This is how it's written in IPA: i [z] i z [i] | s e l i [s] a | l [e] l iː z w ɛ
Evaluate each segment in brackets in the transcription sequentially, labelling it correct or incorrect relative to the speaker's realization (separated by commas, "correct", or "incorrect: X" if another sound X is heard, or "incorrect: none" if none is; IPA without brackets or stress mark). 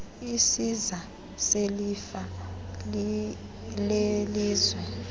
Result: incorrect: s, incorrect: a, incorrect: f, correct